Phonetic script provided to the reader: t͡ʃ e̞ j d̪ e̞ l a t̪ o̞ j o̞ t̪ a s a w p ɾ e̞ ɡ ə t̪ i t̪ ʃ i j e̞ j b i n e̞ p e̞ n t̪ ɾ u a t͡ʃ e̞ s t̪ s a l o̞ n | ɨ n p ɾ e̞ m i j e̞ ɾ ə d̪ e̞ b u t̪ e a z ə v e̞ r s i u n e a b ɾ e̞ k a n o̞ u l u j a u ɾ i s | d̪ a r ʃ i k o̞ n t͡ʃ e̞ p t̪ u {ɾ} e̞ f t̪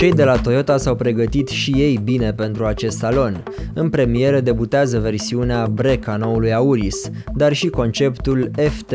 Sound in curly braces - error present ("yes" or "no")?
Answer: yes